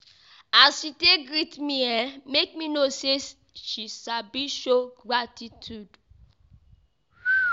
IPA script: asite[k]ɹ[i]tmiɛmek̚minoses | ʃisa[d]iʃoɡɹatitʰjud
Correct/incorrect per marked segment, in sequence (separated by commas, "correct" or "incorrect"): incorrect, correct, incorrect